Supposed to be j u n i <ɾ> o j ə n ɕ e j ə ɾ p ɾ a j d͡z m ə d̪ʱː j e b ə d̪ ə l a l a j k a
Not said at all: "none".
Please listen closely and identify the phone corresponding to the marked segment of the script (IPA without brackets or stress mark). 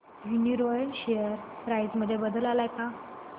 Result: ɾ